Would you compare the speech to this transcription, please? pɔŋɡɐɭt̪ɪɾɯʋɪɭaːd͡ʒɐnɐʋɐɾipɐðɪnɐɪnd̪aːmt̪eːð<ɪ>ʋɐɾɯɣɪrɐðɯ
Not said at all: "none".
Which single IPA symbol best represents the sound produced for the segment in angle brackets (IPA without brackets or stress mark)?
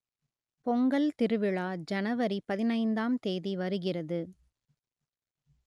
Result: i